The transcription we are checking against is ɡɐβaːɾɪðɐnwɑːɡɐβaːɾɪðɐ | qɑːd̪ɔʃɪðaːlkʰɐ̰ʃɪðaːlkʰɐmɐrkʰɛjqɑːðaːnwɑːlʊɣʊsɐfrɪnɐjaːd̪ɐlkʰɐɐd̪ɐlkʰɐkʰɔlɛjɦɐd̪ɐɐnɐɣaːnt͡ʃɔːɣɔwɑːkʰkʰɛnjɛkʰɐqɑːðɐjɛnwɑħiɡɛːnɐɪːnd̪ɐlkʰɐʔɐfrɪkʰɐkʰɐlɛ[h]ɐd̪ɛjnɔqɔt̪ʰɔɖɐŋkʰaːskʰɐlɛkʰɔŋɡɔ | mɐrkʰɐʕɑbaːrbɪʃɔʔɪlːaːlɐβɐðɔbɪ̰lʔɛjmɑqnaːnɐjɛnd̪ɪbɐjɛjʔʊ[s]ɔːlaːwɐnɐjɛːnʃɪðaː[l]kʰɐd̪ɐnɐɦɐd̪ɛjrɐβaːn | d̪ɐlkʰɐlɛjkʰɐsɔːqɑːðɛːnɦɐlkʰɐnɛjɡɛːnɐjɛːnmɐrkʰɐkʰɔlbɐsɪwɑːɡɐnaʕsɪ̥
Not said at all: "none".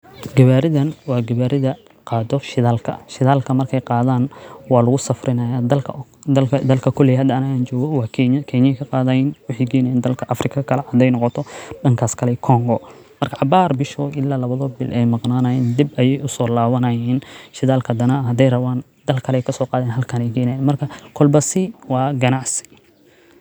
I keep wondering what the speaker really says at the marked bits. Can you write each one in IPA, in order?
h, s, l

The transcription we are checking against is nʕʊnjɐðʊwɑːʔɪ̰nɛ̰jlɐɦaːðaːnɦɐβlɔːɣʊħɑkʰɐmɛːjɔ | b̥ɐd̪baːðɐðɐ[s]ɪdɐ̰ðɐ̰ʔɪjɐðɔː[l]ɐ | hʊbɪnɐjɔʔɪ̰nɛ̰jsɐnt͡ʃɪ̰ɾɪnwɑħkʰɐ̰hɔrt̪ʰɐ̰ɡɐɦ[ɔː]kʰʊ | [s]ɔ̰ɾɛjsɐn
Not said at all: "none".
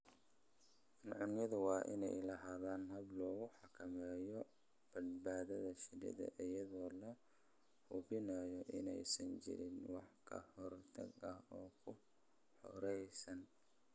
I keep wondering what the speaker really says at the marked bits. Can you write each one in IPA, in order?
ʃ, l, ɔː, ħ

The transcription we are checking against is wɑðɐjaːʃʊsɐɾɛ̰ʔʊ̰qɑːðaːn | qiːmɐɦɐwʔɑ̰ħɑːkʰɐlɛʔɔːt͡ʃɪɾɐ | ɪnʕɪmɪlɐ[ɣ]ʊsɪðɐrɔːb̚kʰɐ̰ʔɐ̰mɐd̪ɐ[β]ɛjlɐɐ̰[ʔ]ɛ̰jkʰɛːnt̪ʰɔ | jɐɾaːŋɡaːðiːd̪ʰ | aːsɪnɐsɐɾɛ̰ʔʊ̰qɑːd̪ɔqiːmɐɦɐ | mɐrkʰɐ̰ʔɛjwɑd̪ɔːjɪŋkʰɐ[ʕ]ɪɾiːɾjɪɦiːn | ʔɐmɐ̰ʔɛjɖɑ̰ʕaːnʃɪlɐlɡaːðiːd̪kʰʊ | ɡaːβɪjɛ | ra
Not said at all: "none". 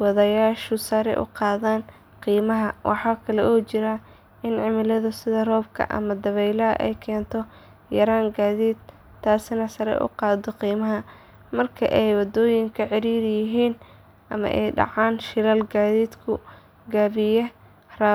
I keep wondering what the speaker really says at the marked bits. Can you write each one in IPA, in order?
ð, β, ʔ, ʕ

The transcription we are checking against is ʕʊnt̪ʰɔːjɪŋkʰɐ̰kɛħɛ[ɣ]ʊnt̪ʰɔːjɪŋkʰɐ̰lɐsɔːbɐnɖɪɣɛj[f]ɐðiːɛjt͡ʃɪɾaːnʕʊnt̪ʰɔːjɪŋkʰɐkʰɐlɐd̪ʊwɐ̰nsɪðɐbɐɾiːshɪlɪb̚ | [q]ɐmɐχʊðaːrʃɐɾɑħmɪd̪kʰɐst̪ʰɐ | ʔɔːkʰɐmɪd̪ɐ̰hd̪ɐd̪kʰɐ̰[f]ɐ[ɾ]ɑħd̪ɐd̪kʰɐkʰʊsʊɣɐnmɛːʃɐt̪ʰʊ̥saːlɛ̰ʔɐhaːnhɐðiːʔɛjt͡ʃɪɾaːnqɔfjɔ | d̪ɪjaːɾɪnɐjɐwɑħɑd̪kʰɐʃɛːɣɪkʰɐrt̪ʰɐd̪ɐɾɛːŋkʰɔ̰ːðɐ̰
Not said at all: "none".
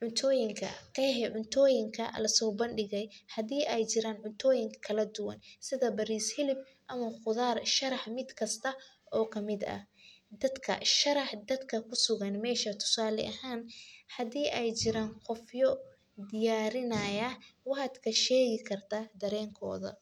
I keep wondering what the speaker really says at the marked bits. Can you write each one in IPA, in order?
ʕ, h, ʔ, ʃ, ɾ

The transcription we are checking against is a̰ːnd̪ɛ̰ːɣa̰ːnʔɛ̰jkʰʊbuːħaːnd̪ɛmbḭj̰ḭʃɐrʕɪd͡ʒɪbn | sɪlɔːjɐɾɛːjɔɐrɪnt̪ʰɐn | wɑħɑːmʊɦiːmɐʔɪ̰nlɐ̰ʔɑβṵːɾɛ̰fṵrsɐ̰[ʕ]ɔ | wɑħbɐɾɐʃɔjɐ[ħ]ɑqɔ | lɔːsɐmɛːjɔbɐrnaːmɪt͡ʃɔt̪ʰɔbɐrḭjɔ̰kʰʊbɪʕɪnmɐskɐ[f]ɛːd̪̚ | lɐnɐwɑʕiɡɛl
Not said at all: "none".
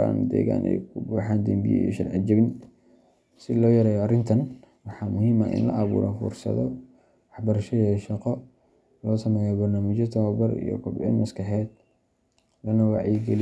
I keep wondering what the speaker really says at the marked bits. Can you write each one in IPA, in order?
ð, ʃ, ħ

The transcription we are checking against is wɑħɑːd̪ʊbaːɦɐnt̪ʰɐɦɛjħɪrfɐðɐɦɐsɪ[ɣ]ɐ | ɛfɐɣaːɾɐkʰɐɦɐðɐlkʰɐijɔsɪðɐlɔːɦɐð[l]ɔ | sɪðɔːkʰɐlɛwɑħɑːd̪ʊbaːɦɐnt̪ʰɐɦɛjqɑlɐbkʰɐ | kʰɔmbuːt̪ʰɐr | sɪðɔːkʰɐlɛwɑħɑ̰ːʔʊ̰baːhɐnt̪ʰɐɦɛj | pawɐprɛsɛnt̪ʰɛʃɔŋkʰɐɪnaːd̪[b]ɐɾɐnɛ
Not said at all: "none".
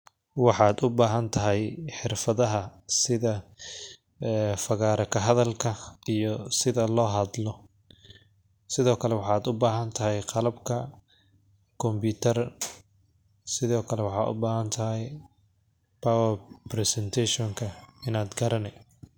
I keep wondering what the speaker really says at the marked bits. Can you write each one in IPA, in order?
ð, l, ɡ

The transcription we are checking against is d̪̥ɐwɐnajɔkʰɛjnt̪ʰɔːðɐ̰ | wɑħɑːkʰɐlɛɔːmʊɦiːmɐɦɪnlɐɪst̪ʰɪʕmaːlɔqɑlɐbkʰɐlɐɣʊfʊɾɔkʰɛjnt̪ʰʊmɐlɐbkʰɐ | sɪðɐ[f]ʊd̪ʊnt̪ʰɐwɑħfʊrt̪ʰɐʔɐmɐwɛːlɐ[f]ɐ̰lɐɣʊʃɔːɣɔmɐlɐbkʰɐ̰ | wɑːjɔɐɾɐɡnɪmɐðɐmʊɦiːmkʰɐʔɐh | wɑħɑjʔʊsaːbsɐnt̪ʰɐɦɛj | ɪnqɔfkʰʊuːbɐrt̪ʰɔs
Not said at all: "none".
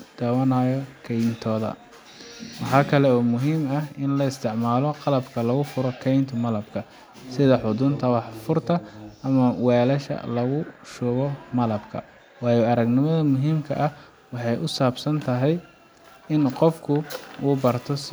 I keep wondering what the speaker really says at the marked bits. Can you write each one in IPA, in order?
ħ, ʃ

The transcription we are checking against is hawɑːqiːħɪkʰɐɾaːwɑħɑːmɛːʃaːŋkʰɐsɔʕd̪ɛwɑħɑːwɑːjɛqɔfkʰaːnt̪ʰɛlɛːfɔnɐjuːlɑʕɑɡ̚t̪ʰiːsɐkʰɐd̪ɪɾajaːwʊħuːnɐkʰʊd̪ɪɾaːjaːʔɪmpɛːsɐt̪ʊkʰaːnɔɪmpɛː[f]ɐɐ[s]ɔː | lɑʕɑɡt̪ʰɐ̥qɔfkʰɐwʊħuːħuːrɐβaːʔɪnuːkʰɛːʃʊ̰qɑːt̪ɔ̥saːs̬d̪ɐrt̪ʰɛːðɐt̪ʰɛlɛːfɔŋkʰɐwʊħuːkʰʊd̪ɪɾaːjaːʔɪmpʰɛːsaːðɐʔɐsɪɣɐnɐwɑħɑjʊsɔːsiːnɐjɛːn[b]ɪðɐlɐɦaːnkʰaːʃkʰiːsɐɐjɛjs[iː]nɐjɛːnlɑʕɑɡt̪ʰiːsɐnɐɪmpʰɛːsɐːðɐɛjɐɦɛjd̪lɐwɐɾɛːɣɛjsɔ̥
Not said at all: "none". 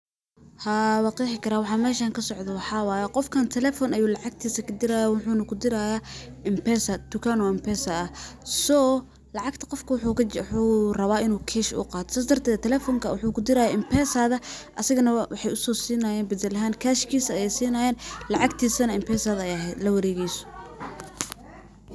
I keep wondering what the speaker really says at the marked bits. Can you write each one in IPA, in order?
s, s, b, iː

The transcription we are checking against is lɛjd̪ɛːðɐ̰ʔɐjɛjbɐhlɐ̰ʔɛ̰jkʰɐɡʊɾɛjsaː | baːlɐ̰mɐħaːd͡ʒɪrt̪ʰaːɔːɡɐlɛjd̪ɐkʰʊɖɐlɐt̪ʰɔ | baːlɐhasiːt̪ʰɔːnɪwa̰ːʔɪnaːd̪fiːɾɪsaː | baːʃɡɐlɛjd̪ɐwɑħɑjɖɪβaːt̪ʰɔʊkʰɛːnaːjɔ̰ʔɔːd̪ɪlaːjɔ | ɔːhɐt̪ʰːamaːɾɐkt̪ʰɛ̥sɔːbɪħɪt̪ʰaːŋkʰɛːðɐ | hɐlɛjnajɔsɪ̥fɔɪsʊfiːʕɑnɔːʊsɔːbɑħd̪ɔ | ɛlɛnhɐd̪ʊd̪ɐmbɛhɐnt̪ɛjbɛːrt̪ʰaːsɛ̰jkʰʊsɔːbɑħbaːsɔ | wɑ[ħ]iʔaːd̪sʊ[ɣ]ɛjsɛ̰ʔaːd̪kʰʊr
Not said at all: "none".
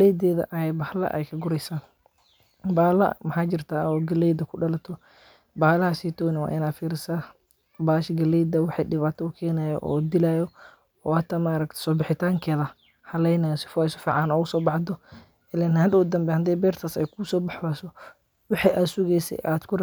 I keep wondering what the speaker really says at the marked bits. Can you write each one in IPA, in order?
ħ, ɣ

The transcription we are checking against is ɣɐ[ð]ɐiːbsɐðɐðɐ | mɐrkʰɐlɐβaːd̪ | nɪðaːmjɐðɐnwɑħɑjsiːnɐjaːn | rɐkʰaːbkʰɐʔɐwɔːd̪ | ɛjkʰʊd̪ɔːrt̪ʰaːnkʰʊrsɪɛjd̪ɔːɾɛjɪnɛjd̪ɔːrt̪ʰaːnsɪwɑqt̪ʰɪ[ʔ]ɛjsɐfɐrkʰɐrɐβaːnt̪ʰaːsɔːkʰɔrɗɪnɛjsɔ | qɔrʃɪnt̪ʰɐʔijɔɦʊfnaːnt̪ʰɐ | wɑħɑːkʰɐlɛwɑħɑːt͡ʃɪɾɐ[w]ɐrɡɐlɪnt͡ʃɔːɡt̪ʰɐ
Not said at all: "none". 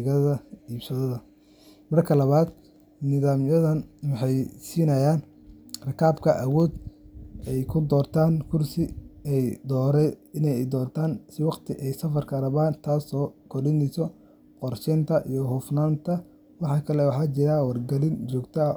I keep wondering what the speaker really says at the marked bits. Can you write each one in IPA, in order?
ð, ʔ, w

